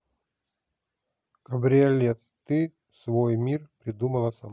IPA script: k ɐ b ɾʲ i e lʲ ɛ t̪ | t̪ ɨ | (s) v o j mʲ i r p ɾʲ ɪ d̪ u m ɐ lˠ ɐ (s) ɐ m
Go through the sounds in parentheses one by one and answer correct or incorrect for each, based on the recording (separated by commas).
correct, correct